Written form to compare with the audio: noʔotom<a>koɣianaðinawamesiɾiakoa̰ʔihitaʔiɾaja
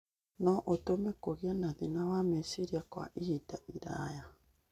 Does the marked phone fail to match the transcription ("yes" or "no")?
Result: yes